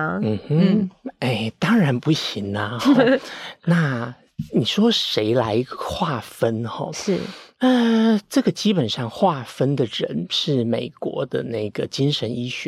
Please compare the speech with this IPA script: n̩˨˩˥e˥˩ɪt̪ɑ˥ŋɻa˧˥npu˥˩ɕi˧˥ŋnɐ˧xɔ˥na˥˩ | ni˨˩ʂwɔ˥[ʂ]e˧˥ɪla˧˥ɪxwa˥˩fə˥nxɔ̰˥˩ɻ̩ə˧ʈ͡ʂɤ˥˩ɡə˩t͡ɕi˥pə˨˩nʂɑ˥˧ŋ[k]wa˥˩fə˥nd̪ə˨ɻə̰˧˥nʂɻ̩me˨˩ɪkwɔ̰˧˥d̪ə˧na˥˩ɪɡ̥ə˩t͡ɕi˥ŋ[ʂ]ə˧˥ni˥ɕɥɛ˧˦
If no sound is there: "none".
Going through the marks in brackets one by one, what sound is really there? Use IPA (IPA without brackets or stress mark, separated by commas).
ʂ, x, ʂ